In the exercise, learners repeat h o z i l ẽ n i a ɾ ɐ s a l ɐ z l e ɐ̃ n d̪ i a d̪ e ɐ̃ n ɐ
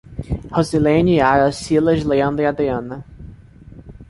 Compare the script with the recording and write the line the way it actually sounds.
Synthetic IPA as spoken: h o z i l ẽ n i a ɾ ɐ s i l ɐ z l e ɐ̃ n d̪ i a d̪ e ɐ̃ n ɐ

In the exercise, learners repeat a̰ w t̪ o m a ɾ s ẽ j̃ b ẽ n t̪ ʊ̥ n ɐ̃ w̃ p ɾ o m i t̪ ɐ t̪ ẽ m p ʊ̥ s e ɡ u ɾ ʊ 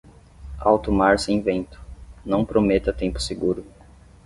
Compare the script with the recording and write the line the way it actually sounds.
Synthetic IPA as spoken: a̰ w t̪ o m a ɾ s ẽ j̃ v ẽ n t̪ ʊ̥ n ɐ̃ w̃ p ɾ o m e t̪ ɐ t̪ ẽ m p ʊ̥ s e ɡ u ɾ ʊ

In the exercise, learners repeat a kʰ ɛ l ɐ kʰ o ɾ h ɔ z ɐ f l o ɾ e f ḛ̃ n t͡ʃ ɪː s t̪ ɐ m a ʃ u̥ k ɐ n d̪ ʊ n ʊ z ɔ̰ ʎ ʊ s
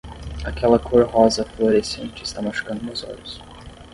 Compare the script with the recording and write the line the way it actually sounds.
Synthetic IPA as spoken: a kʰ ɛ l ɐ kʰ o ɾ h ɔ z ɐ f l o ɾ e s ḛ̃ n t͡ʃ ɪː s t̪ a m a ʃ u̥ k ɐ̃ n d̪ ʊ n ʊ z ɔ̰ ʎ ʊ s

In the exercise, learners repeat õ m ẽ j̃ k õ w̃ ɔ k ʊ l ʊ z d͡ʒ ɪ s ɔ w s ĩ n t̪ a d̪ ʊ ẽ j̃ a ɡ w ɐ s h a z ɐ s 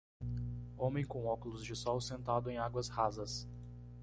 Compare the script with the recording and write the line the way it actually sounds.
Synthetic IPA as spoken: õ m ẽ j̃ k õ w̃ ɔ k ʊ l ʊ z d͡ʒ ɪ s ɔ w s ẽ n t̪ a d̪ ʊ ẽ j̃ a ɡ w ɐ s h a z ɐ s

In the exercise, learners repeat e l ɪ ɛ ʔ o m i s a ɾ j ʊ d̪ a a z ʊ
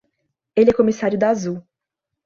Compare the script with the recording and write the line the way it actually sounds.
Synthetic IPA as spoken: e l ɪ ɛ k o m i s a ɾ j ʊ d̪ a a z u

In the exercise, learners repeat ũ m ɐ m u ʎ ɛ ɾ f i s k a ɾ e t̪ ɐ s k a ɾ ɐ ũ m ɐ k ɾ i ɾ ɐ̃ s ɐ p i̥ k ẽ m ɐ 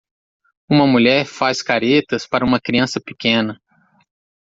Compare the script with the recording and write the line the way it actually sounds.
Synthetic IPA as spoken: ũ m ɐ m u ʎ ɛ ɾ f a s k a ɾ e t̪ ɐ s p a ɾ ɐ ũ m ɐ k ɾ i ɐ̃ s ɐ p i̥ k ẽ n ɐ

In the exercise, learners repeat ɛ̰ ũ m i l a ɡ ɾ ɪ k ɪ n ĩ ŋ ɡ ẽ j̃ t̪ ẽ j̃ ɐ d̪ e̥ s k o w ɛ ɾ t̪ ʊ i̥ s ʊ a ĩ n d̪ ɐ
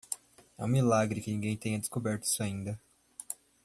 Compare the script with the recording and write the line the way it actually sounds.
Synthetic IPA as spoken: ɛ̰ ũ m i l a ɡ ɾ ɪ k ɪ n ĩ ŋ ɡ ẽ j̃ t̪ ẽ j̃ ɐ d̪ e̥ s k o b ɛ ɾ t̪ ʊ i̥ s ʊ a ĩ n d̪ ɐ

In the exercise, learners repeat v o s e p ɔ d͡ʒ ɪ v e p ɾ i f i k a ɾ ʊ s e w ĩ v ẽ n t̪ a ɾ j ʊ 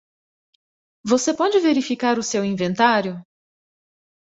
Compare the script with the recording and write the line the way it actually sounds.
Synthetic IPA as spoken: v o s e p ɔ d͡ʒ ɪ v e ɾ i f i k a ɾ ʊ s e w ĩ v ẽ n t̪ a ɾ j ʊ

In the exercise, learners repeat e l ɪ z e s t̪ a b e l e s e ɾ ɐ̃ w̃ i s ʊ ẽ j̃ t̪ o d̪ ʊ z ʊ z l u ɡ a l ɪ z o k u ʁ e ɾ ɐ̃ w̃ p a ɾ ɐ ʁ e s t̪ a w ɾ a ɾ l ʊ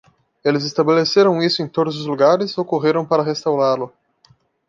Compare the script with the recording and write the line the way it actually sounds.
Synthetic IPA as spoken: e l ɪ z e s t̪ a b e l e s e ɾ ɐ̃ w̃ i s ʊ ẽ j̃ t̪ o d̪ ʊ z ʊ z l u ɡ a ɾ ɪ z o k o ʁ e ɾ ɐ̃ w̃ p a ɾ ɐ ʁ e s t̪ a w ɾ a ɾ l ʊ

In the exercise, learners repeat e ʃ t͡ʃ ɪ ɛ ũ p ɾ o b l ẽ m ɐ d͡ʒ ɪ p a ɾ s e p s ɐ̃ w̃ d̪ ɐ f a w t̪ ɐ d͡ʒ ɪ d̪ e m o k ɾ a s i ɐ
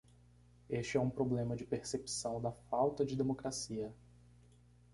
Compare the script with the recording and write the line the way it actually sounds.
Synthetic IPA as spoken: e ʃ t͡ʃ ɪ ɛ ũ p ɾ o b l ẽ m ɐ d͡ʒ ɪ p e ɾ s e p s ɐ̃ w̃ d̪ ɐ f a w t̪ ɐ d͡ʒ ɪ d̪ e m o k ɾ a s i ɐ

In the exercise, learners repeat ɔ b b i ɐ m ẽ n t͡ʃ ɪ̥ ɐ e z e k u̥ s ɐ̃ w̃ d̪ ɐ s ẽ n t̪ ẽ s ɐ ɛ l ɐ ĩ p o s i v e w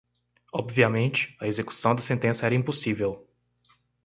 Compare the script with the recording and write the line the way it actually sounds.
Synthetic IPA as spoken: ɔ b v i ɐ m ẽ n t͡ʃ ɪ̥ ɐ e z e k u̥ s ɐ̃ w̃ d̪ ɐ s ẽ n t̪ ẽ s ɐ ɛ ɾ ɐ ĩ p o s i v e w

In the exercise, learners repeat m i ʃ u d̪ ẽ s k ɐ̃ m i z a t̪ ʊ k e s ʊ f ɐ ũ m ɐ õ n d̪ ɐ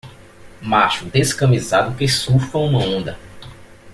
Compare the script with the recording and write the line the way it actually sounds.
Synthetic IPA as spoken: m a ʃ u d̪ e s k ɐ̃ m i z a d̪ ʊ k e s u f ɐ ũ m ɐ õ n d̪ ɐ

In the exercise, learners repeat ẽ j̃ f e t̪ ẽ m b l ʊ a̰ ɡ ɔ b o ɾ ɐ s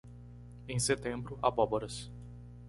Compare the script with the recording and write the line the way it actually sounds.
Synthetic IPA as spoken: ẽ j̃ s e t̪ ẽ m b ɾ ʊ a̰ b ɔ b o ɾ ɐ s

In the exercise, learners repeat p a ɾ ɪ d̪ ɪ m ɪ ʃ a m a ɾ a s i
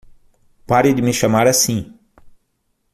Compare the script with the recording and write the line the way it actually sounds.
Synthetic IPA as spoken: p a ɾ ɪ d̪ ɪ m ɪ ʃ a m a ɾ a s ĩ

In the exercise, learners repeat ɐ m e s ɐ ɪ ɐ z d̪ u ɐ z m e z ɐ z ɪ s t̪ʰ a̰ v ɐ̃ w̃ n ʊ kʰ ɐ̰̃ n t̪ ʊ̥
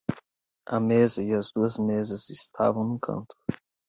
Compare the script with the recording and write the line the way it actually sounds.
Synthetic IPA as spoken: ɐ m e z ɐ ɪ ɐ z d̪ u ɐ z m e z ɐ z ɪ s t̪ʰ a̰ v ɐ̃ w̃ n ʊ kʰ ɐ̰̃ n t̪ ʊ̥

